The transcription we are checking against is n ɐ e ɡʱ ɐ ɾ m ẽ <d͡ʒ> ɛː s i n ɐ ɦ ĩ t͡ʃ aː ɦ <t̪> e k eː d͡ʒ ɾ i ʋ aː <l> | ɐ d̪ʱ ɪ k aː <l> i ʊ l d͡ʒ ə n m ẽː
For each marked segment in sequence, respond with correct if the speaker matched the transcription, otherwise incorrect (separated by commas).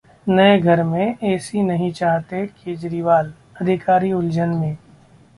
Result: incorrect, correct, correct, incorrect